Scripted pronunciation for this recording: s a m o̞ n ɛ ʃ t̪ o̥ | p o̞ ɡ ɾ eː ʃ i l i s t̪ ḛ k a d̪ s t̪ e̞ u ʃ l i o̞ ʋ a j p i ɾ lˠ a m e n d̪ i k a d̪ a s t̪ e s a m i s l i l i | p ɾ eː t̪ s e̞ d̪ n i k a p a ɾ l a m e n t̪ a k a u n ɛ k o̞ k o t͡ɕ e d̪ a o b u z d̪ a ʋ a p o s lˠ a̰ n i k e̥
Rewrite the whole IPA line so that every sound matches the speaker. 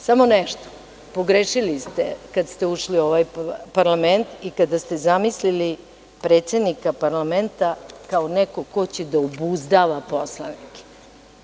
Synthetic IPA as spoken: s a m o̞ n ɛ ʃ t̪ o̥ | p o̞ ɡ ɾ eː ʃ i l i s t̪ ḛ k a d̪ s t̪ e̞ u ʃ l i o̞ ʋ a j p a ɾ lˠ a m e n t̪ i k a d̪ a s t̪ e z a m i s l i l i | p ɾ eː t̪ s e̞ d̪ n i k a p a ɾ l a m e n t̪ a k a o n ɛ k o̞ k o t͡ɕ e d̪ a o b u z d̪ a ʋ a p o s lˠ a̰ n i k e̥